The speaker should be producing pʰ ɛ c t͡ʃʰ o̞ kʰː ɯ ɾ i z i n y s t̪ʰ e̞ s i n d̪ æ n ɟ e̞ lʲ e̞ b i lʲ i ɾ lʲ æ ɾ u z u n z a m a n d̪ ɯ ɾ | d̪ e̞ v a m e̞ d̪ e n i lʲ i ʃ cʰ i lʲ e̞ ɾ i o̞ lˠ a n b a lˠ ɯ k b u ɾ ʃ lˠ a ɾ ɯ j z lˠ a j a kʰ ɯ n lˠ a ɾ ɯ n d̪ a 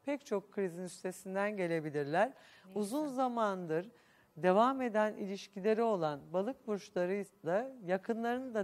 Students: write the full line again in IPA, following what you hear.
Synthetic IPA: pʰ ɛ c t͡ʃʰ o̞ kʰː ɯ ɾ i z i n y s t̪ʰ e̞ s i n d̪ æ n ɟ e̞ lʲ e̞ b i lʲ i ɾ lʲ æ ɾ u z u n z a m a n d̪ ɯ ɾ | d̪ e̞ v a m e̞ d̪ æ n i lʲ i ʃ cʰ i lʲ e̞ ɾ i o̞ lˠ a n b a lˠ ɯ k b u ɾ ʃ lˠ a ɾ ɯ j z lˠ a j a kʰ ɯ n lˠ a ɾ ɯ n d̪ a